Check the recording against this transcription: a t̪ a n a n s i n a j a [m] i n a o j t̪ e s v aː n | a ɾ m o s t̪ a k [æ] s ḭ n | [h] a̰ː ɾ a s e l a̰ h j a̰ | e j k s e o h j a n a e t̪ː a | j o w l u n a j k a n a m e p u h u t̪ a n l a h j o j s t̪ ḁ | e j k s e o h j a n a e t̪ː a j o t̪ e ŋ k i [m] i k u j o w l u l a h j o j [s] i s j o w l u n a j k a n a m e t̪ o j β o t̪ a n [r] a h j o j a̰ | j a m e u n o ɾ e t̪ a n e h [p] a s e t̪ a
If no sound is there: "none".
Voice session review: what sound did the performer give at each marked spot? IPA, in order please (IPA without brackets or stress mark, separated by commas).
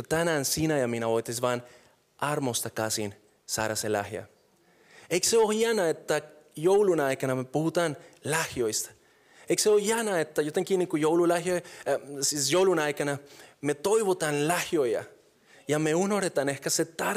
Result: m, a, s, n, s, l, k